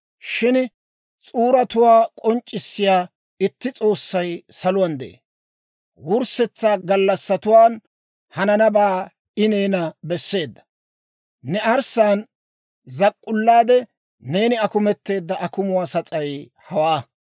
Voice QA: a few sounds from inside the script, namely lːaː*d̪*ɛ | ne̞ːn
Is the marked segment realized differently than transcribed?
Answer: no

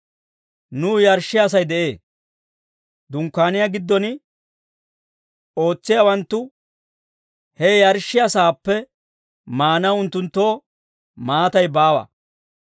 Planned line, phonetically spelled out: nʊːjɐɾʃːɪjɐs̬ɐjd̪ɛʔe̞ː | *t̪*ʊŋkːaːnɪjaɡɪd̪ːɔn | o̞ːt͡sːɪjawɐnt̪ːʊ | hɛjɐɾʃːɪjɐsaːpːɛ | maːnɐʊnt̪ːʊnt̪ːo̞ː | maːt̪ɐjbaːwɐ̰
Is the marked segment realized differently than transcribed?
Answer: yes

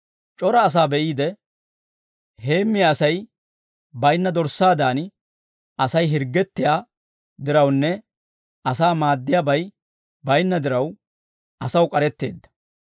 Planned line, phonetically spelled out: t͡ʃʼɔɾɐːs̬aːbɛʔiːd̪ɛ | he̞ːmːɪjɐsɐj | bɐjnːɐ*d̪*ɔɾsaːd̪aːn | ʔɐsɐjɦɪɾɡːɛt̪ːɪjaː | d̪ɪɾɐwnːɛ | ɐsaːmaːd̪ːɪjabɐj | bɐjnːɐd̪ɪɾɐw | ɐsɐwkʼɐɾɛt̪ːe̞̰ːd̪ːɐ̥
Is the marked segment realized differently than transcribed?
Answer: no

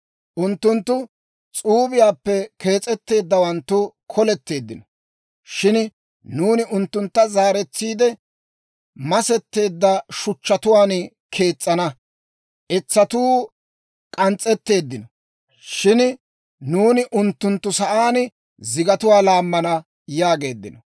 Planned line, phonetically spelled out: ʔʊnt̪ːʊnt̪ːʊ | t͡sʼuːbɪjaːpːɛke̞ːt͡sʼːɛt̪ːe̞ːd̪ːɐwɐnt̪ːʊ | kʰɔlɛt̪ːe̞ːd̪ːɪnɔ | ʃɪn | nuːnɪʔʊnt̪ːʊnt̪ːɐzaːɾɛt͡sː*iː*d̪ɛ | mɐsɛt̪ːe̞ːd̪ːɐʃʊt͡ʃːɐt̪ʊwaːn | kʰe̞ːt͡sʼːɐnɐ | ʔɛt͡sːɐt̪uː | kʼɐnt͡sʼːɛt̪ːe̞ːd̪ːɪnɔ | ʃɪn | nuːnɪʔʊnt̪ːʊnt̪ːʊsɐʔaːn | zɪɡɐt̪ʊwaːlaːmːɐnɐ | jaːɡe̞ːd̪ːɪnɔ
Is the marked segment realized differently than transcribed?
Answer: no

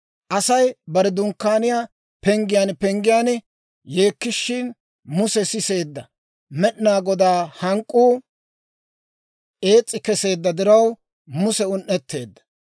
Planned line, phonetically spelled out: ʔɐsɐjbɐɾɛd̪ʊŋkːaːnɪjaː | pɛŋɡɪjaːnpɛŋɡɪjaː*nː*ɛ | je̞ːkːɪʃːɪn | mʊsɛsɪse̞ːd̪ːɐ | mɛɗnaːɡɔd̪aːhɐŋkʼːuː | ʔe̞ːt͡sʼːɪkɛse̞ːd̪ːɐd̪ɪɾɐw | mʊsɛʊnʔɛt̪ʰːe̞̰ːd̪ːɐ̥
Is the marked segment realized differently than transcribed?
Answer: yes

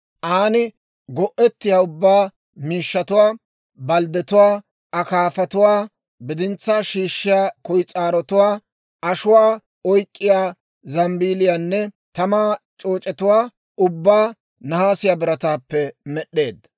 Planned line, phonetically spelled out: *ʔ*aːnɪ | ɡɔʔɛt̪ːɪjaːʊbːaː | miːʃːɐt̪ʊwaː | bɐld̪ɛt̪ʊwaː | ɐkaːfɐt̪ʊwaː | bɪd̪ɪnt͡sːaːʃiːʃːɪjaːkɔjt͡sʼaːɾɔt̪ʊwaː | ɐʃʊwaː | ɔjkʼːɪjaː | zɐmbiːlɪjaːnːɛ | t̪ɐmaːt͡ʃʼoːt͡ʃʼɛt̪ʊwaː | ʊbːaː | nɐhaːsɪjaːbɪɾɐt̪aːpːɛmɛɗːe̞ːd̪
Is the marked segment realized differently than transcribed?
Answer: no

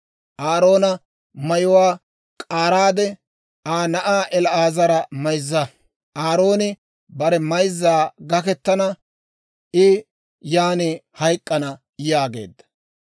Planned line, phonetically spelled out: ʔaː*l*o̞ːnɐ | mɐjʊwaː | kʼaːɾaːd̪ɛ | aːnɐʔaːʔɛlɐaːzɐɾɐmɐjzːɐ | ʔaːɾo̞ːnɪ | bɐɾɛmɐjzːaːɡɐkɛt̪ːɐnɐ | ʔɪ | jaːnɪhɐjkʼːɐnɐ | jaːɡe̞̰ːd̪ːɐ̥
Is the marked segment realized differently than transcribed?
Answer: yes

